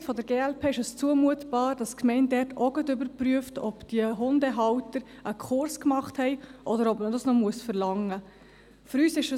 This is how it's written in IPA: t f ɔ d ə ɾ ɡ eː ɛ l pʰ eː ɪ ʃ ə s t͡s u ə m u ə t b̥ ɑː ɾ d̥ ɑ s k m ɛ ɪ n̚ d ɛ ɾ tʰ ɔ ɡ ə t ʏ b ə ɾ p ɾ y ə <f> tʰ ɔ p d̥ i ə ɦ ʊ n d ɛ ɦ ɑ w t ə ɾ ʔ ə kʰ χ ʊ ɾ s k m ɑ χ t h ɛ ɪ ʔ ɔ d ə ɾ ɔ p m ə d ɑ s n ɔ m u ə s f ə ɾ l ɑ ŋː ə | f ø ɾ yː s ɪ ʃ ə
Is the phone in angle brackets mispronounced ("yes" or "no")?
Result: no